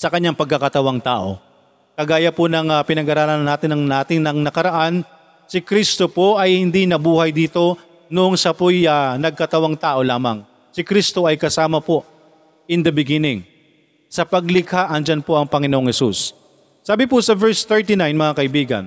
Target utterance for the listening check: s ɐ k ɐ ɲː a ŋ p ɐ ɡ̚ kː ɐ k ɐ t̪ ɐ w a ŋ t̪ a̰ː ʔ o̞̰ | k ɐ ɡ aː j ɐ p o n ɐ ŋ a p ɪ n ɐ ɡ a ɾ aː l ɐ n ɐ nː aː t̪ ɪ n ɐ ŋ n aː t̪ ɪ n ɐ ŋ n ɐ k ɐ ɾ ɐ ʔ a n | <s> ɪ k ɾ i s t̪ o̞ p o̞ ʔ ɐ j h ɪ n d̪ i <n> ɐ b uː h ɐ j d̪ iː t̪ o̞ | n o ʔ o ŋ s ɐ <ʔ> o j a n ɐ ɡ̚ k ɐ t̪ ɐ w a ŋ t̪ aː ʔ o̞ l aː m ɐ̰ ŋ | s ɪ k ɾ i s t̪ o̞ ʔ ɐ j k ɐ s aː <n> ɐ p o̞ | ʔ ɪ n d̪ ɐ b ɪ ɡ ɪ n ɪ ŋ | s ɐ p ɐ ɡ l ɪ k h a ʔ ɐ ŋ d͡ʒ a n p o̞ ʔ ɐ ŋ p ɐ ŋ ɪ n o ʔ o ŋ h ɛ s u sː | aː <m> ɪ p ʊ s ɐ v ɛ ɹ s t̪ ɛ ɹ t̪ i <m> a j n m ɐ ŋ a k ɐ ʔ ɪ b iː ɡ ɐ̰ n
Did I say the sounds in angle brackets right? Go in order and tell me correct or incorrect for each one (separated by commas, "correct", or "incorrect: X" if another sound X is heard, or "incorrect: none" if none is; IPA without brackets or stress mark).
correct, correct, incorrect: p, incorrect: m, incorrect: b, incorrect: n